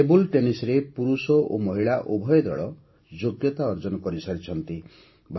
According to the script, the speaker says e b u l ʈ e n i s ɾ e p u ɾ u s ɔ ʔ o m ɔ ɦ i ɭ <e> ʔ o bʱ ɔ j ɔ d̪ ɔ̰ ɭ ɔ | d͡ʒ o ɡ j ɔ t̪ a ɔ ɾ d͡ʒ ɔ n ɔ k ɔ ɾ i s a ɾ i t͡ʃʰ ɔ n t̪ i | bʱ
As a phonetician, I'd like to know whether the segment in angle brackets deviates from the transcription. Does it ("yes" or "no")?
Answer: yes